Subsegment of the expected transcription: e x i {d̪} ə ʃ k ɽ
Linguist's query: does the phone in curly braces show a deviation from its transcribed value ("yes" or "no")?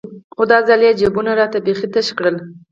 yes